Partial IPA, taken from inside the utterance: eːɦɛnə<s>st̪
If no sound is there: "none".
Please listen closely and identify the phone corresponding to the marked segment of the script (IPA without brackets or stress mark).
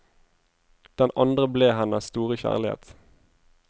s